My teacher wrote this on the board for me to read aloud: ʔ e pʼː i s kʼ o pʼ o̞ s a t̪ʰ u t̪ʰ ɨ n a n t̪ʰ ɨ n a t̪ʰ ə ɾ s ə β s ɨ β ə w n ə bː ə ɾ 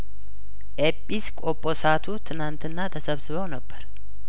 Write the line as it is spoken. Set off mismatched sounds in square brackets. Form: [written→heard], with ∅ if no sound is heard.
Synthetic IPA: ʔ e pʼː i s kʼ o pʼ o̞ s a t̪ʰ u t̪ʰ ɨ n a n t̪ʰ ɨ [n→nː] a t̪ʰ ə [ɾ→∅] s ə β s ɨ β ə w n ə bː ə ɾ